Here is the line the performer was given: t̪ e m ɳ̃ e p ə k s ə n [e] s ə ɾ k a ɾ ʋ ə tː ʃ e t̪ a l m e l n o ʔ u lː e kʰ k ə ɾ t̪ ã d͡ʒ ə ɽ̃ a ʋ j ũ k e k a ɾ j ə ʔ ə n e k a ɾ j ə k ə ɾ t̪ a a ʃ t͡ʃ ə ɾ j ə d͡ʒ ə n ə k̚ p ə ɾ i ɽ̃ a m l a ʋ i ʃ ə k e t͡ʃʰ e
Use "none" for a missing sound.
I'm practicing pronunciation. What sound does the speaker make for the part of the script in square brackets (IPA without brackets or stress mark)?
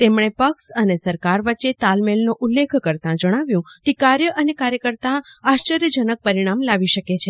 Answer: e